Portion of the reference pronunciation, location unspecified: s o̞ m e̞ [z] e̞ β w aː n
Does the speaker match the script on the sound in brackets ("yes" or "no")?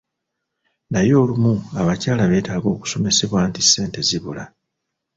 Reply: no